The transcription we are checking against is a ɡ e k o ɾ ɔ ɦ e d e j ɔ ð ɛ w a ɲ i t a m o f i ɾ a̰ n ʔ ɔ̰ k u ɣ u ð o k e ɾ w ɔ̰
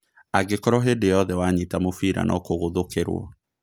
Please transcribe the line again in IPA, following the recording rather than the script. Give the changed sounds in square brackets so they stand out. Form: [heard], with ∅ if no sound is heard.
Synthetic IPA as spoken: a ɡ e k [ɔ] ɾ ɔ ɦ e d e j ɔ ð ɛ w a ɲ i t a m o f i ɾ a̰ n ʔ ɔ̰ k [o] ɣ [o] ð o k e ɾ w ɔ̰

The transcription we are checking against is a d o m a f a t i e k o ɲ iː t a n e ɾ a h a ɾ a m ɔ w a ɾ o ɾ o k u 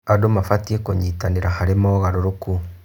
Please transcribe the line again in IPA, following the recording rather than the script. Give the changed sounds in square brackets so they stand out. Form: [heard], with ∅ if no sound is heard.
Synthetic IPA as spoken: a d o m a f a t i e k o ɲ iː t a n e ɾ a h a ɾ [e] m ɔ [ɣ] a ɾ o ɾ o k u

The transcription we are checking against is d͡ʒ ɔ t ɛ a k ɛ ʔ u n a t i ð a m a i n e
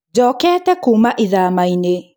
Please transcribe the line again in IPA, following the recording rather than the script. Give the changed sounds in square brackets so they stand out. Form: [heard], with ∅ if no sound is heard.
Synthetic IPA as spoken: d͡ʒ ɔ [k] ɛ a [t] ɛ [k] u [m] a [ʔ] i ð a m a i n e

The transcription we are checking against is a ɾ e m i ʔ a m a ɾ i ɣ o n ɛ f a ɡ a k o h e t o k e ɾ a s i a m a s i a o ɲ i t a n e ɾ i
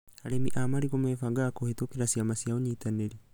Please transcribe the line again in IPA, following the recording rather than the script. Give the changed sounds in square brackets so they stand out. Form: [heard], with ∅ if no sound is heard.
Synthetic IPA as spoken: a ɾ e m i ʔ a m a ɾ i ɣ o [m] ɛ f a ɡ a k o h e t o k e ɾ a s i a m a s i a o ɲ i t a n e ɾ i

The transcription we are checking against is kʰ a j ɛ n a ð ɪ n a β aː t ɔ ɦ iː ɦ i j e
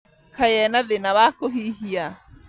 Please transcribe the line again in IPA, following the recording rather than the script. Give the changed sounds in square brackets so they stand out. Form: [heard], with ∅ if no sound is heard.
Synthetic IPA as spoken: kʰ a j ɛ n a ð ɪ n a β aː [k] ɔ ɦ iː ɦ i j [a]

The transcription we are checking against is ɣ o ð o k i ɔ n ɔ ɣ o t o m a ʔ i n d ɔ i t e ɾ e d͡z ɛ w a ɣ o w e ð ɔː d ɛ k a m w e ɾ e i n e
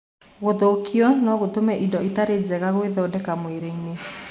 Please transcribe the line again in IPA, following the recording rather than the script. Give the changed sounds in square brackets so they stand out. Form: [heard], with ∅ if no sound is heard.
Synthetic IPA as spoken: ɣ o ð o k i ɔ n ɔ ɣ o t o m [ɛ] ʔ i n d ɔ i t [a] ɾ e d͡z ɛ [ɣ] a ɣ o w e ð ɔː d ɛ k a m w e ɾ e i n e

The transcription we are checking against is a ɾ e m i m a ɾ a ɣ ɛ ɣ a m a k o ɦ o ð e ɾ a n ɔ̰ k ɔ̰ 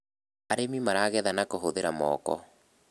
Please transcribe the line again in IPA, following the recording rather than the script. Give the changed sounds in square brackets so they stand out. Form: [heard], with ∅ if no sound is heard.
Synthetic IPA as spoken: a ɾ e m i m a ɾ a ɣ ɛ [ð] a [n] a k o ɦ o ð e ɾ a [m] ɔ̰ k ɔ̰

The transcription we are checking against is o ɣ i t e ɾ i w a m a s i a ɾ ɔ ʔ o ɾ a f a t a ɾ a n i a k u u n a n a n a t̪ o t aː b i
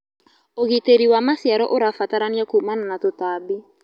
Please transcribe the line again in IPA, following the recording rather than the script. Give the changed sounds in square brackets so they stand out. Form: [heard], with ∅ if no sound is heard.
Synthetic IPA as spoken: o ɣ i t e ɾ i w a m a s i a ɾ ɔ ʔ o ɾ a f a t a ɾ a n i a k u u [m] a n a n a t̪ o t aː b i

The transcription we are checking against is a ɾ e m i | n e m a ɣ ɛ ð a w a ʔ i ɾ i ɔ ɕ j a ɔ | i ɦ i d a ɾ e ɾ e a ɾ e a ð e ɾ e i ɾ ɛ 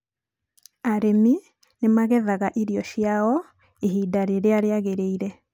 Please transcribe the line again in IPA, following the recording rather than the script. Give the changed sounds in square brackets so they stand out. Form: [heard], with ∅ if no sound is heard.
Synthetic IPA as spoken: a ɾ e m i | n e m a ɣ ɛ ð a [ɣ] a ʔ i ɾ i ɔ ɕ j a ɔ | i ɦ i d a ɾ e ɾ e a ɾ e a [ɣ] e ɾ e i ɾ ɛ

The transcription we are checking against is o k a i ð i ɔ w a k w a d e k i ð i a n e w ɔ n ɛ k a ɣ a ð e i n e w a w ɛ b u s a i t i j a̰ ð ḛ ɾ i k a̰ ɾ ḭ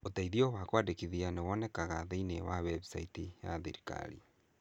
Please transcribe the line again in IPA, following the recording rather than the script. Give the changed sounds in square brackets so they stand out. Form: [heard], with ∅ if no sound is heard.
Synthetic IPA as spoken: o [t] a i ð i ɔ w a k w a d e k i ð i a n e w ɔ n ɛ k a ɣ a ð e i n e w a w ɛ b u s a i t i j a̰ ð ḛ ɾ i k a̰ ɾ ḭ

